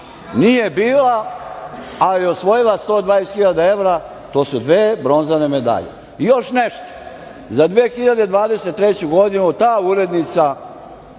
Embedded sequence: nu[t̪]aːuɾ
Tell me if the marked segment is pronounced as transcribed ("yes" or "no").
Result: yes